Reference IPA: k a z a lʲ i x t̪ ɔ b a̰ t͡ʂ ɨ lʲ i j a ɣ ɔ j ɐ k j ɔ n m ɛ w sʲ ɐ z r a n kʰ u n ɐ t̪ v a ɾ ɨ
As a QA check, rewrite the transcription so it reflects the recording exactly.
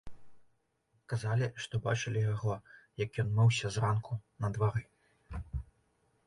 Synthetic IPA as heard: k a z a lʲ i ʂ t̪ ɔ b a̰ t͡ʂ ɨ lʲ i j a ɣ ɔ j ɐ k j ɔ n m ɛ w sʲ ɐ z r a n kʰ u n ɐ d̪ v a ɾ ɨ